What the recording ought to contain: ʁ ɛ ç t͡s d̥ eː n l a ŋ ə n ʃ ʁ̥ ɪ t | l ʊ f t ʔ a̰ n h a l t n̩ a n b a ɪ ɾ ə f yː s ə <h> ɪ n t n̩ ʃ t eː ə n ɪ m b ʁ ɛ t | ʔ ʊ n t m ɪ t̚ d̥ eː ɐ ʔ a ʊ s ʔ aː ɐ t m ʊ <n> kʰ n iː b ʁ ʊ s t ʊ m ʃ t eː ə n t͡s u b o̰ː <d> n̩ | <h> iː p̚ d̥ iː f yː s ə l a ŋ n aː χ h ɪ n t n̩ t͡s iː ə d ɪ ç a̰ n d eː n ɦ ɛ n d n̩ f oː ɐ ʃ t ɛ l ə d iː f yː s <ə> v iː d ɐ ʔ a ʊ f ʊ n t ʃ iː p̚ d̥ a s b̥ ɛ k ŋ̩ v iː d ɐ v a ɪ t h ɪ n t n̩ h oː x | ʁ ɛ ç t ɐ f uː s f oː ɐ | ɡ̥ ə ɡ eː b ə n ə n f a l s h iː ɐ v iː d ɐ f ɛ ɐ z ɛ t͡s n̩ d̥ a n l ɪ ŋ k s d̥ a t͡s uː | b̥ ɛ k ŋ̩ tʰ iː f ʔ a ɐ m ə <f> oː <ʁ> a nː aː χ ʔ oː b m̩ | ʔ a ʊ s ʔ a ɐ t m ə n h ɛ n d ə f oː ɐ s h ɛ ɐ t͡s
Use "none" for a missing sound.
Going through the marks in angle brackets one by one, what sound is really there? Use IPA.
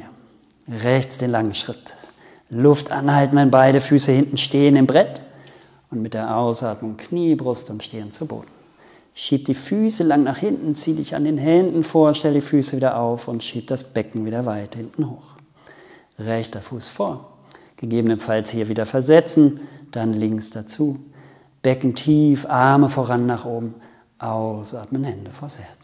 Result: h, ŋ, d, ʃ, ə, f, ʁ

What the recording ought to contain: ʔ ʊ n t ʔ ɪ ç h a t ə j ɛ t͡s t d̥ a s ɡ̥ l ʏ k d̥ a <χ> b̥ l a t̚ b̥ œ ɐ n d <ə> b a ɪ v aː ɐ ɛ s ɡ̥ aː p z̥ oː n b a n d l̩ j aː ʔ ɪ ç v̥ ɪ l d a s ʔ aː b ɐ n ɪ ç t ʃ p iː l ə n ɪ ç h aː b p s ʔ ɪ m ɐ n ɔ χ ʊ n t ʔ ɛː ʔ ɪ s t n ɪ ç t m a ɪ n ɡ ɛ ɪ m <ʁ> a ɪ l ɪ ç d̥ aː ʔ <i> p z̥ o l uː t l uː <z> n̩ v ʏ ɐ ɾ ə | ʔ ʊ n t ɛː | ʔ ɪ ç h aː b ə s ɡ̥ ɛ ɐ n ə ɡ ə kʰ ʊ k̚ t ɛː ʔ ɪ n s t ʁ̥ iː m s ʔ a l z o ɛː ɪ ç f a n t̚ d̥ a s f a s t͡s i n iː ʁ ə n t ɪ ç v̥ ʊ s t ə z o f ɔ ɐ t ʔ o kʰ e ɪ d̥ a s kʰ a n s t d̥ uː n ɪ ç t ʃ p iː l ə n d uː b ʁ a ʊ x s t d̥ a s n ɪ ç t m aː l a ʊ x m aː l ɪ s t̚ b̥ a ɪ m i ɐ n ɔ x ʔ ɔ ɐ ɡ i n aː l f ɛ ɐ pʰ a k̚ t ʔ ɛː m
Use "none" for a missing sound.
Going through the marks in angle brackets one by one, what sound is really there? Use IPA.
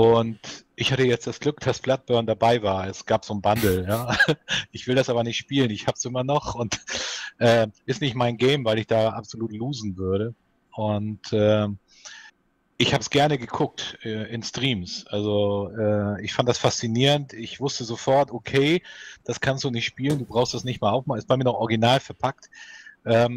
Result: s, a, v, a, z

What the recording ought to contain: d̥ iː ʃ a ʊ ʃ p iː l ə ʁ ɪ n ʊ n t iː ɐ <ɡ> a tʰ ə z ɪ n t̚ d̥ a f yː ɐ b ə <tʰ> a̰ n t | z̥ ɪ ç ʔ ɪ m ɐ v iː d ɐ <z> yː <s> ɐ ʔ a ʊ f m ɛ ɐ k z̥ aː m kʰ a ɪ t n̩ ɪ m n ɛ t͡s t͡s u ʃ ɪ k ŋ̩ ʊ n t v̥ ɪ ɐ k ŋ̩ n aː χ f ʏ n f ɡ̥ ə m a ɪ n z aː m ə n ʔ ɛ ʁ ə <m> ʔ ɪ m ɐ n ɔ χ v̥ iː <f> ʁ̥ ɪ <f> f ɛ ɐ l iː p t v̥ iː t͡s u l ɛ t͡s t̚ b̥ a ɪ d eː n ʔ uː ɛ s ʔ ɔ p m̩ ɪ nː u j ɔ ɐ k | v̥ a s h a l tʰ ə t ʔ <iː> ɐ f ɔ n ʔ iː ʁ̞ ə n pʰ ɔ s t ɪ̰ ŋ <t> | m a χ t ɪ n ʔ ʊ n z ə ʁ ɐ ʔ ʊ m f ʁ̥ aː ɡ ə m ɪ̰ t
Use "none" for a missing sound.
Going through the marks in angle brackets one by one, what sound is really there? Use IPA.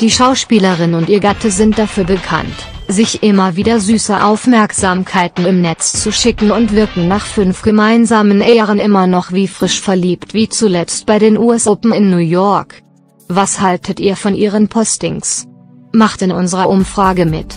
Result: ɡ, kʰ, z, s, n, f, ʃ, iː, s

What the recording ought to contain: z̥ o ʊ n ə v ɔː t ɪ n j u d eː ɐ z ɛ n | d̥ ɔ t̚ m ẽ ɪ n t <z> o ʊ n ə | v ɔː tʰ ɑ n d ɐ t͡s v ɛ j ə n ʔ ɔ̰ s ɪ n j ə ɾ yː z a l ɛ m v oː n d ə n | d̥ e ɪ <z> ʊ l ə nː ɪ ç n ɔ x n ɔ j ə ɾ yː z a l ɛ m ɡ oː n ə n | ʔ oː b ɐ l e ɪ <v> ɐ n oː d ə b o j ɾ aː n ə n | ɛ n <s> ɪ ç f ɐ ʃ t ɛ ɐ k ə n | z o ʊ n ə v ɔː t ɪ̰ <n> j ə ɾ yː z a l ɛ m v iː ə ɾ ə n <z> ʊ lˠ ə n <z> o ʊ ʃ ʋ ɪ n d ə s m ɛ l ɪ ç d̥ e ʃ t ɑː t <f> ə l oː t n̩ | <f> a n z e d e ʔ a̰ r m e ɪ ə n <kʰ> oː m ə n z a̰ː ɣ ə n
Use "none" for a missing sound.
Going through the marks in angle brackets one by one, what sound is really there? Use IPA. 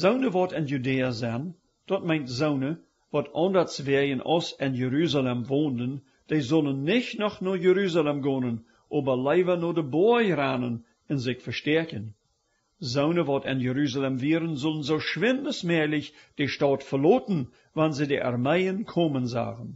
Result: z, z, v, z, n, z, z, f, v, kʰ

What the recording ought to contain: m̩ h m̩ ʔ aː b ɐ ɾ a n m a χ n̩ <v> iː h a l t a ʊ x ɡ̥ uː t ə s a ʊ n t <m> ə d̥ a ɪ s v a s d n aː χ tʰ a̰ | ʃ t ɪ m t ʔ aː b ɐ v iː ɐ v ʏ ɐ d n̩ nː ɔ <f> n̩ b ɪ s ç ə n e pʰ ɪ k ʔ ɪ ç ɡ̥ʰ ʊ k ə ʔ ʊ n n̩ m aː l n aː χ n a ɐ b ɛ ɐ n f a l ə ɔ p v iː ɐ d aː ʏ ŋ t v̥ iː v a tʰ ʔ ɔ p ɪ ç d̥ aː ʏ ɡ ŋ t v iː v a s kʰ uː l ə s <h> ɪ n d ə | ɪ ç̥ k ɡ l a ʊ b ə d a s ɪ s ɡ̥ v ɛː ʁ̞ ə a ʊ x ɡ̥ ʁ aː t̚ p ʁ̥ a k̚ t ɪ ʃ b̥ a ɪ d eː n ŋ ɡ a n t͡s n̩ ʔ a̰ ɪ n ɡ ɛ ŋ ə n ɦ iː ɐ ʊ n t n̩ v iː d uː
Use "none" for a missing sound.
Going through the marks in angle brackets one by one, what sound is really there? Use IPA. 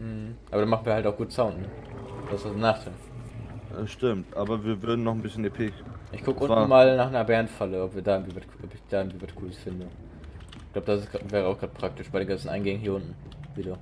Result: v, n, χ, f

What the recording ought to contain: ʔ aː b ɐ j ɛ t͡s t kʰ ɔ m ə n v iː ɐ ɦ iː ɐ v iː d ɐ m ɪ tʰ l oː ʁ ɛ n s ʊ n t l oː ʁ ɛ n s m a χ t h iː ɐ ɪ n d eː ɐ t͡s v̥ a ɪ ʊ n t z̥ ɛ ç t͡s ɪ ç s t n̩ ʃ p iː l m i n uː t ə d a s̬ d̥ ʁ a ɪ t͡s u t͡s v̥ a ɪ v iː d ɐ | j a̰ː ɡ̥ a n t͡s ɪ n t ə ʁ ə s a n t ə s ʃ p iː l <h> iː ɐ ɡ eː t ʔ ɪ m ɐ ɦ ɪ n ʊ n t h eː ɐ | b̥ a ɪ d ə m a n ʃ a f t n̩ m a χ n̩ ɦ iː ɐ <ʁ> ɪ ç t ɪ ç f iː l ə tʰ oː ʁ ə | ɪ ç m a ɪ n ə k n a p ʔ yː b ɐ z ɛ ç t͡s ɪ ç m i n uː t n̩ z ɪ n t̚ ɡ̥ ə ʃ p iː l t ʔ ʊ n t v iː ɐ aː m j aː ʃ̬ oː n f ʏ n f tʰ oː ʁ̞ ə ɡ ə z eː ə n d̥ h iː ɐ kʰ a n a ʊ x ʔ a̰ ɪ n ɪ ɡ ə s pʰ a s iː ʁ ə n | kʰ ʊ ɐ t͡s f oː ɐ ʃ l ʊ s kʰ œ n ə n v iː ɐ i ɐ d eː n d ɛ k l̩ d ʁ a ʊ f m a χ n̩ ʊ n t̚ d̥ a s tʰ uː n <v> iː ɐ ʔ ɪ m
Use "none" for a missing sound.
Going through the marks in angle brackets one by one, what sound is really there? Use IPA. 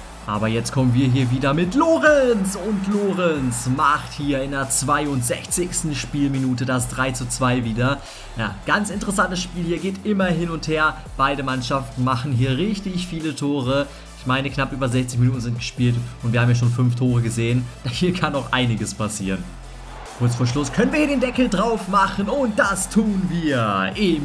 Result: h, ʁ, v

